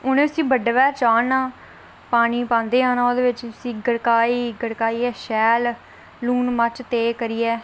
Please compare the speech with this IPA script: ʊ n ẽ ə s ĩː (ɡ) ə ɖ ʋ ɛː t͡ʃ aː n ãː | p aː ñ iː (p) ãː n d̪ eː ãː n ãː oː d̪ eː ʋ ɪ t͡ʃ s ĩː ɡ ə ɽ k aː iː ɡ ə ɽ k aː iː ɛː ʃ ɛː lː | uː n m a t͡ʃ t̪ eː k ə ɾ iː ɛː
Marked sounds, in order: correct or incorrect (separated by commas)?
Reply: incorrect, correct